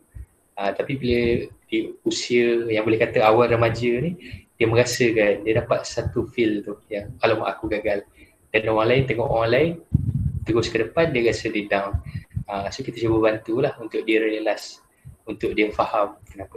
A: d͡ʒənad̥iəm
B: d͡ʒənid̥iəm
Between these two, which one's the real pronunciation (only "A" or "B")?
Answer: B